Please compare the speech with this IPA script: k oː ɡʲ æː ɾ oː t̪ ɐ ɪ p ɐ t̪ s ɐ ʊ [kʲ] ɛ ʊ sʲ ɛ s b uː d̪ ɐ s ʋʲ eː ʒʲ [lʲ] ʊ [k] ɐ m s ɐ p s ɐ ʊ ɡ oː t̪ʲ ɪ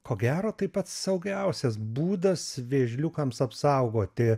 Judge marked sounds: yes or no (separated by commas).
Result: no, yes, yes